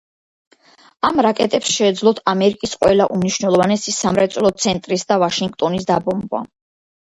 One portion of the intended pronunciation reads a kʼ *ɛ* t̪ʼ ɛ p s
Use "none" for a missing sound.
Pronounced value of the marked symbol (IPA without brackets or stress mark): ɛ